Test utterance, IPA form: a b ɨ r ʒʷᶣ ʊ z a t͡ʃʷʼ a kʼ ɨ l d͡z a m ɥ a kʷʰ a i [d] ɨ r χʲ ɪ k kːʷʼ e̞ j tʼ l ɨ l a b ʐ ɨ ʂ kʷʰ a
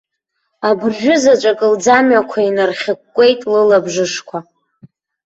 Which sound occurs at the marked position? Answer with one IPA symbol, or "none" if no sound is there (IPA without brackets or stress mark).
n